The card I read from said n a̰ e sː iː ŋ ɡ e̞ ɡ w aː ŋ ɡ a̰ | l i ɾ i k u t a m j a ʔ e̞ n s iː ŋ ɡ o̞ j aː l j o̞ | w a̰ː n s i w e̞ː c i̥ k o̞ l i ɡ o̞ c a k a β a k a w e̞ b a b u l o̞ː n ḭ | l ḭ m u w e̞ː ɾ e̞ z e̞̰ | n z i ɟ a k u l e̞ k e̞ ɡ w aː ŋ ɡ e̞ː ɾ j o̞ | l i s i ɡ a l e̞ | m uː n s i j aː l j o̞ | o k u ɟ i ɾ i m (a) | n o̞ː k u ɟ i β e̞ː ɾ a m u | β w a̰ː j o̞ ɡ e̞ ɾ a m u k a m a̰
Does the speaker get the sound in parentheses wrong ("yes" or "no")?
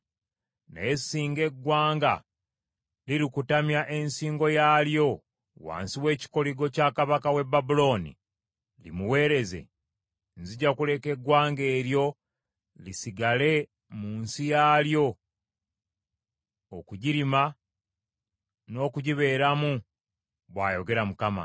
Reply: no